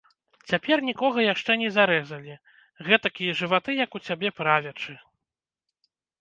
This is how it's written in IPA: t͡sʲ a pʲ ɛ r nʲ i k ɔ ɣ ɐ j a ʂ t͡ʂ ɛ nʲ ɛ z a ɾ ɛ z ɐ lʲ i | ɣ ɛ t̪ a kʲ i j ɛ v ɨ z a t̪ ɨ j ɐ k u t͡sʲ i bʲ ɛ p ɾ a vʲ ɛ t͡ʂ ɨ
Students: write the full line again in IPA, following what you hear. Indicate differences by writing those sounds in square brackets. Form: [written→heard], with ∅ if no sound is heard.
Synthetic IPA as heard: t͡sʲ a pʲ ɛ r nʲ i k ɔ ɣ ɐ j a ʂ t͡ʂ ɛ nʲ ɛ z a ɾ ɛ z ɐ lʲ i | ɣ ɛ t̪ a kʲ i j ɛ [v→ʐ] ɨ [z→v] a t̪ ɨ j ɐ k u t͡sʲ [i→a] bʲ ɛ p ɾ a vʲ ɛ t͡ʂ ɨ